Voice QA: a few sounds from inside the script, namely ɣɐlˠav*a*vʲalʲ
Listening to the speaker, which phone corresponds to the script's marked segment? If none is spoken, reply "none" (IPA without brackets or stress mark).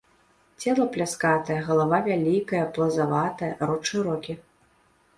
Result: a